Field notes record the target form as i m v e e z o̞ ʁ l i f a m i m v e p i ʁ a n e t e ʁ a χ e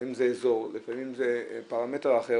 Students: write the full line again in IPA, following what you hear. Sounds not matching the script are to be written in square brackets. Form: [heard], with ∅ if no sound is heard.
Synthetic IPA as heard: i m [z] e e z o̞ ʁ l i f a m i m [z] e p [a] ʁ a [m] e t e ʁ a χ e

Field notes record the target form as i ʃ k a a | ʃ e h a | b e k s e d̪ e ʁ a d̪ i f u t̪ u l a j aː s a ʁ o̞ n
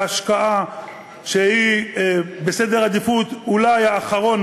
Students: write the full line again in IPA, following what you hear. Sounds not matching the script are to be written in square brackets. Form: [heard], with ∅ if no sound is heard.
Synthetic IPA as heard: [a] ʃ k a a | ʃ e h [i] | b e [∅] s e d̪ e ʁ a d̪ i f u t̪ u l a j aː [χ] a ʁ o̞ n

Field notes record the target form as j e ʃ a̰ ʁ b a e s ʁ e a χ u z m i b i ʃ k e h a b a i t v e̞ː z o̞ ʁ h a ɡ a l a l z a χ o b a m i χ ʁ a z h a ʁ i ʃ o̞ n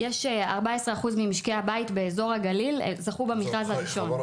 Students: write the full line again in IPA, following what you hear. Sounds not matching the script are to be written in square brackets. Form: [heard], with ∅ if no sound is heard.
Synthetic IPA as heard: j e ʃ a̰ ʁ b a e s ʁ e a χ u z m i [m] i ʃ k e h a b a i t [b] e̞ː z o̞ ʁ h a ɡ a l [i] l z a χ [u] b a m i χ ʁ a z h a ʁ i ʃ o̞ n

